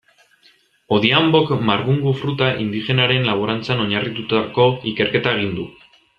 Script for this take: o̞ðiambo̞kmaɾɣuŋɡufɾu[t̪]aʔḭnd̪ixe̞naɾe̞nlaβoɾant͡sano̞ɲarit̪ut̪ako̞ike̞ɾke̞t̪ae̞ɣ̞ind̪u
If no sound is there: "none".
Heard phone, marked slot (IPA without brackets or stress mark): t̪